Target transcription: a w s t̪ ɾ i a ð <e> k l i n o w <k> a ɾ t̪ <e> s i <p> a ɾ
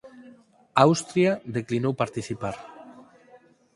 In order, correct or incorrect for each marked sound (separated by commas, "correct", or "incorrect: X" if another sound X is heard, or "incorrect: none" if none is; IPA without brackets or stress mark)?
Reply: correct, incorrect: p, incorrect: i, correct